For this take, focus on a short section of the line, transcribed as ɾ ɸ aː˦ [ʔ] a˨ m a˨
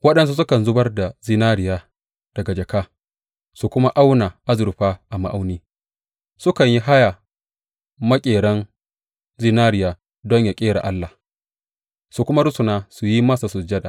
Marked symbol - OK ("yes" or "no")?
yes